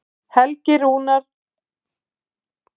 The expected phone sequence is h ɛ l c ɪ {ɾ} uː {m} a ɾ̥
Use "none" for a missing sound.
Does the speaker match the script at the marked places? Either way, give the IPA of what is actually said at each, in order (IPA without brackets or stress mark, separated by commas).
ɾ, n